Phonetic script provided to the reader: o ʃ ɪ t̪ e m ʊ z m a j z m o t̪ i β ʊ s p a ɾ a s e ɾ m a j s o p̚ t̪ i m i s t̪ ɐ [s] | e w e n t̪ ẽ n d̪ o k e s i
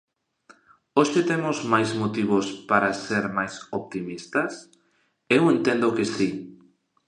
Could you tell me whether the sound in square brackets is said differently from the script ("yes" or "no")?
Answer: no